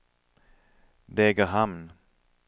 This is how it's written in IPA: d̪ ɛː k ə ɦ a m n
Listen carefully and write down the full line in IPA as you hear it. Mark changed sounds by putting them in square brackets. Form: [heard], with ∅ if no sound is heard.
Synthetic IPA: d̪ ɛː [ɡ] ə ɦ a m n